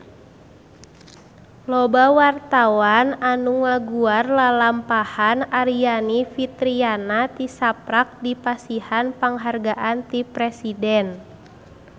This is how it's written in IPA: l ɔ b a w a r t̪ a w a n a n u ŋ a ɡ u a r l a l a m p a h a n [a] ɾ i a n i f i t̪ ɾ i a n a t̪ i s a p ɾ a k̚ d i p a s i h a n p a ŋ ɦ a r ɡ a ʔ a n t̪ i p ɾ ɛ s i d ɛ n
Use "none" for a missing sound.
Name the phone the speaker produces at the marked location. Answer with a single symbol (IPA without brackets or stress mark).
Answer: a